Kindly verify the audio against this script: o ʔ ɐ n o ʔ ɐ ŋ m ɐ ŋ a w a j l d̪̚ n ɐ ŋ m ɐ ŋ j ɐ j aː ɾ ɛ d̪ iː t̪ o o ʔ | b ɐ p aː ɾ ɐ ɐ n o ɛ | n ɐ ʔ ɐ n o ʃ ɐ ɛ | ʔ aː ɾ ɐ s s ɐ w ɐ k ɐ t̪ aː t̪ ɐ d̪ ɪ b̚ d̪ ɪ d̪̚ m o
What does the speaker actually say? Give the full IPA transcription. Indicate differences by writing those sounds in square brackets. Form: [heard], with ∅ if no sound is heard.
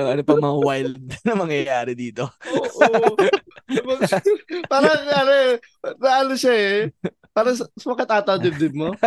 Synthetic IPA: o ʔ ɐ n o [p] ɐ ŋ m ɐ ŋ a w a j l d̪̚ n ɐ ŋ m ɐ ŋ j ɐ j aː ɾ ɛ d̪ iː t̪ o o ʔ | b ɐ p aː ɾ ɐ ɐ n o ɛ | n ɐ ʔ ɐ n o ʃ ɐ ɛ | [p] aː ɾ ɐ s s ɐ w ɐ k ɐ t̪ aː t̪ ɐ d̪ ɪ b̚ d̪ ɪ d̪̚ m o